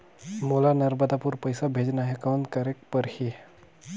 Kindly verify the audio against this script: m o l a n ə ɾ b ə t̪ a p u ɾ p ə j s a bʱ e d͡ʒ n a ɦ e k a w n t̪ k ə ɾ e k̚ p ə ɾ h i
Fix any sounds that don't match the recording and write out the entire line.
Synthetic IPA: m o l a n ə ɾ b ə d̪ a p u ɾ p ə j s a bʱ e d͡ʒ n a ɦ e k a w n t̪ k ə ɾ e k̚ p ə ɾ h i